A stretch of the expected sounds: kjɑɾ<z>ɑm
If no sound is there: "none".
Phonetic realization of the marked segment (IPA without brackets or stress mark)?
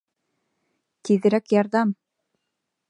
ð